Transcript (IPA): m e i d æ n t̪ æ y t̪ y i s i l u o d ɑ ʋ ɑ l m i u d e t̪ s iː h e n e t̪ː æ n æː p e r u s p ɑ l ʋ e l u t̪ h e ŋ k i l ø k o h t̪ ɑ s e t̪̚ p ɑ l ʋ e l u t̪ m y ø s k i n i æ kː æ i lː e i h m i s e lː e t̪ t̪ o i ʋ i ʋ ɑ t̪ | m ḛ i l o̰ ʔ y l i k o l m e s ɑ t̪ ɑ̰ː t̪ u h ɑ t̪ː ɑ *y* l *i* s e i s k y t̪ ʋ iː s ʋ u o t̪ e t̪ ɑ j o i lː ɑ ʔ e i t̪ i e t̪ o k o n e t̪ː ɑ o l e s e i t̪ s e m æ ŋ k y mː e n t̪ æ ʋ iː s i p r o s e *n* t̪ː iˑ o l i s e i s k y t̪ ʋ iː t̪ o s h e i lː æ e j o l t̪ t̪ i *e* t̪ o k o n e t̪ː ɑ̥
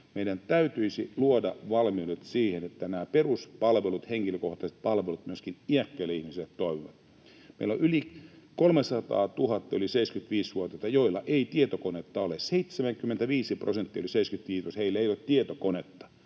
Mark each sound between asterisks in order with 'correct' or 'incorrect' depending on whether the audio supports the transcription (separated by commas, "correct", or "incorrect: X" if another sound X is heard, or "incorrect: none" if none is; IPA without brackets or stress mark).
correct, correct, correct, correct